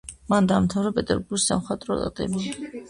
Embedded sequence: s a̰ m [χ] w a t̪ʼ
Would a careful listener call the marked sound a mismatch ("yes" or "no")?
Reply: no